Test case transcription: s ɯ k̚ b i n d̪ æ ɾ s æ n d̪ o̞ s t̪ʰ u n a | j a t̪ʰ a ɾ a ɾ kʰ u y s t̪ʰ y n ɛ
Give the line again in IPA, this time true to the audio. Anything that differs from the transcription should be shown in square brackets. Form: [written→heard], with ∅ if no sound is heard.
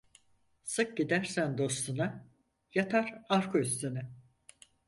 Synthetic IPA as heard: s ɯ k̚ [b→ɟ] i [n→∅] d̪ æ ɾ s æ n d̪ o̞ s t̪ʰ u n a | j a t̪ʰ a ɾ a ɾ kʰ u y s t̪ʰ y n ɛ